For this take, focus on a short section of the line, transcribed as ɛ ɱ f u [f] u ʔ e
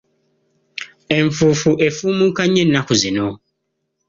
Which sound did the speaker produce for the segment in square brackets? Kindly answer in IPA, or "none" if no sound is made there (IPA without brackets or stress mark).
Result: f